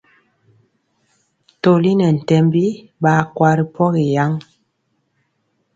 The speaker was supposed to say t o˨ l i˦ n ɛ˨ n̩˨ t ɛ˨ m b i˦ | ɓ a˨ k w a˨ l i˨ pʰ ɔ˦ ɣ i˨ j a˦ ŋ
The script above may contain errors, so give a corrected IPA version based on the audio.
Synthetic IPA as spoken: t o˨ l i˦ n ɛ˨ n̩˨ t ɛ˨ m b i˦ | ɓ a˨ k w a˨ ɾ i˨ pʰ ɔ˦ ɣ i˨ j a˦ ŋ